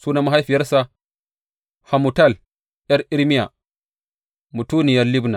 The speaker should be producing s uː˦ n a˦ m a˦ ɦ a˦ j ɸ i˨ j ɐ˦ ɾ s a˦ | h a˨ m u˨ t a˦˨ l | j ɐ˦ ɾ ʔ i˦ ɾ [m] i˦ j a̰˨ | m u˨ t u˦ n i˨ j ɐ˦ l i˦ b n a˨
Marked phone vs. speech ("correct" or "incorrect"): correct